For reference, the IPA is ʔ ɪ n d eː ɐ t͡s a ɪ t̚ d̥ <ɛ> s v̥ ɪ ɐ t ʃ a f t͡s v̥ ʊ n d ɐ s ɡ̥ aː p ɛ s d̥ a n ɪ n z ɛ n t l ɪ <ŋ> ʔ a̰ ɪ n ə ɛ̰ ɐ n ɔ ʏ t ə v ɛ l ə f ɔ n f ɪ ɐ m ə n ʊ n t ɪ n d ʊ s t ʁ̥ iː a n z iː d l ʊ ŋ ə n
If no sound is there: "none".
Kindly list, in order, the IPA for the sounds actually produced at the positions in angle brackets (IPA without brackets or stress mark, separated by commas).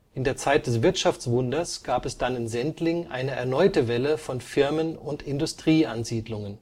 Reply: ɛ, ŋ